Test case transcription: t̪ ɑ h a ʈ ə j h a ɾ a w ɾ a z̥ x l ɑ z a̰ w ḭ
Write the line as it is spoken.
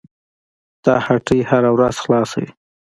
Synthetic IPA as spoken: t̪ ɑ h a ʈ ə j h a ɾ a w ɾ a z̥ x l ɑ s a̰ w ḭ